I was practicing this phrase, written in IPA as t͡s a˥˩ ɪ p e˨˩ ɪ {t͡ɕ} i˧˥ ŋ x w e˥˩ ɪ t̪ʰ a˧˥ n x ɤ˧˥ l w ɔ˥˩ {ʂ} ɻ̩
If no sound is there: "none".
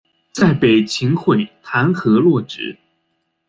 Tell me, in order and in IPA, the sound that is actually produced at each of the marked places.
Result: t͡ɕʰ, ʈ͡ʂ

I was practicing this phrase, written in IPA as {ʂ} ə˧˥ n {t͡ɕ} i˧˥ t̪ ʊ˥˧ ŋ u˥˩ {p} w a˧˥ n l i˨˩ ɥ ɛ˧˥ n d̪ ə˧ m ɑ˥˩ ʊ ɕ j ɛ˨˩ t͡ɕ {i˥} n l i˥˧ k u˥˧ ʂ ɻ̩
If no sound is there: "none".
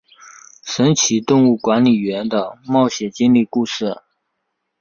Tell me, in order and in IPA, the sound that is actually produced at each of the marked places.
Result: ʂ, t͡ɕʰ, k, i˥

